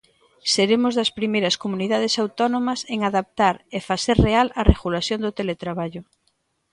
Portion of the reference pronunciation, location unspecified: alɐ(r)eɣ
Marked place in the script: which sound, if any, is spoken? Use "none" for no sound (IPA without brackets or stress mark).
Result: r